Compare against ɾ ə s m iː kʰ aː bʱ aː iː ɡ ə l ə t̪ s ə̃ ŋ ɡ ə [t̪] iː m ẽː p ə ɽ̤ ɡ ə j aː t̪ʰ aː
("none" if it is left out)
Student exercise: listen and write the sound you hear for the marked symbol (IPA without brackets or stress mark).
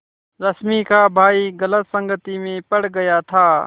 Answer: t̪